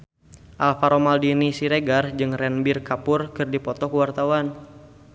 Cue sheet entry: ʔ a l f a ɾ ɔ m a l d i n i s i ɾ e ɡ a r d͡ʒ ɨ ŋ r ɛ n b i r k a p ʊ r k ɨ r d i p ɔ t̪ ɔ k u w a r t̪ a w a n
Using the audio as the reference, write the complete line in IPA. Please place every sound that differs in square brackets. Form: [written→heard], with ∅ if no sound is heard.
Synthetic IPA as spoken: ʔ a l f a ɾ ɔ m a l d i n i s i ɾ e ɡ a r d͡ʒ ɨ ŋ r ɛ n b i r k a p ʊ r k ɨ r d i p ɔ t̪ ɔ k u w a r t̪ a w a n